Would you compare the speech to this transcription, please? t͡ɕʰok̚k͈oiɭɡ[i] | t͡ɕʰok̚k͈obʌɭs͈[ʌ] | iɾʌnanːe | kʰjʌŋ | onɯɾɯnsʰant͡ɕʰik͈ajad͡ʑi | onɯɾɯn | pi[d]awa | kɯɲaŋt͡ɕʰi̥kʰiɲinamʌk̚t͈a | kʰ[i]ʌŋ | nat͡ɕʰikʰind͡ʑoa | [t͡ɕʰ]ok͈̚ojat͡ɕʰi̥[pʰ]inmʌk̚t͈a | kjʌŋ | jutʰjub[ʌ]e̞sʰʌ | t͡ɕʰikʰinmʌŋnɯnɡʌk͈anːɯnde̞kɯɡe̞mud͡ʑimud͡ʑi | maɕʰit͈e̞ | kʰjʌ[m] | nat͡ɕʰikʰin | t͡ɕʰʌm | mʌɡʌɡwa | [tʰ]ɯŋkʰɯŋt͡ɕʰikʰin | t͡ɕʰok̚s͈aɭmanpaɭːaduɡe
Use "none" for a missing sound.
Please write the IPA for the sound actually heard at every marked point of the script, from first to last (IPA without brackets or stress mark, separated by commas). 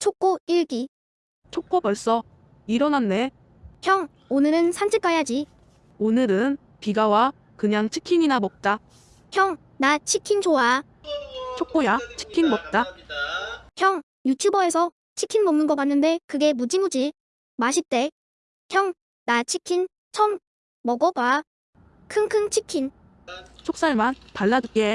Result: i, ʌ, ɡ, j, t͡ɕʰ, kʰ, ʌ, ŋ, kʰ